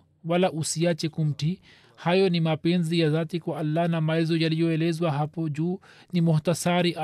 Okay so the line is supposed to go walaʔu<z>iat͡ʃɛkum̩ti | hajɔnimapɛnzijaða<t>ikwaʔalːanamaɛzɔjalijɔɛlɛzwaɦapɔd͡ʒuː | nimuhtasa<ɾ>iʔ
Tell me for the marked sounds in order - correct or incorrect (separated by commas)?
incorrect, correct, correct